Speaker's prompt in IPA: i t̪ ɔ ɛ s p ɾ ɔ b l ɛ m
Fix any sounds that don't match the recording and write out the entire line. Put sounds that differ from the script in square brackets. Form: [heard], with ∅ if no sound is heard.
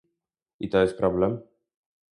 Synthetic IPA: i t̪ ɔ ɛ s p ɾ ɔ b l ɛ m